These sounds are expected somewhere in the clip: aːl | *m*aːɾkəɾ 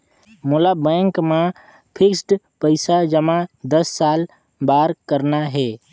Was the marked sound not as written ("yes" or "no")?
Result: yes